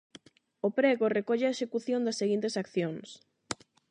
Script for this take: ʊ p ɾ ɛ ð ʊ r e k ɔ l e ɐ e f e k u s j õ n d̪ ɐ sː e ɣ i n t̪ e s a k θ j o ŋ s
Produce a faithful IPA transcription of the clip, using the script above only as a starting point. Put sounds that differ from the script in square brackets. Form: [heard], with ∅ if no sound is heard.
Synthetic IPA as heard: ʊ p ɾ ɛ [ɣ] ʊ r e k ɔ [ʎ] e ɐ e [ʃ] e k u [θ] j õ n d̪ ɐ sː e ɣ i n t̪ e s a k θ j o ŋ s